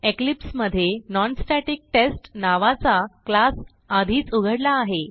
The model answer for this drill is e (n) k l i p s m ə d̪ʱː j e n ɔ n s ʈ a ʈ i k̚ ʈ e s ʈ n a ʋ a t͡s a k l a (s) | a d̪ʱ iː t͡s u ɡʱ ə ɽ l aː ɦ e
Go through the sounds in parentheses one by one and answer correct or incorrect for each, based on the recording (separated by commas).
incorrect, correct